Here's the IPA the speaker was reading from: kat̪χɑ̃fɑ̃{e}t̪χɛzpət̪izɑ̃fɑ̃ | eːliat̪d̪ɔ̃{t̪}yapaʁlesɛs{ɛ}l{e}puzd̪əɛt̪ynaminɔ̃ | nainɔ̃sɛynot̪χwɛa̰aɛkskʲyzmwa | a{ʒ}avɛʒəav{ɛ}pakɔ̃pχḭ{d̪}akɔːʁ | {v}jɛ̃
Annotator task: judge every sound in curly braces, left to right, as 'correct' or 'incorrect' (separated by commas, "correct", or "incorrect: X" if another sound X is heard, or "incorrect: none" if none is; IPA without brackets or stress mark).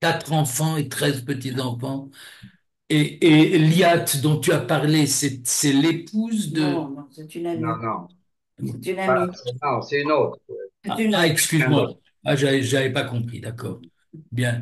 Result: correct, correct, correct, correct, correct, correct, correct, incorrect: b